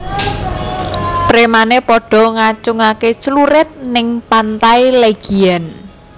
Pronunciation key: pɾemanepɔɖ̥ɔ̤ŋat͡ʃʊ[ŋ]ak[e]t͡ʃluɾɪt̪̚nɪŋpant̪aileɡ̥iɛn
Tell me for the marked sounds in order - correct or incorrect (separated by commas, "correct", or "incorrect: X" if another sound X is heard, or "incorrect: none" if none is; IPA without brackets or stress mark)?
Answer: correct, correct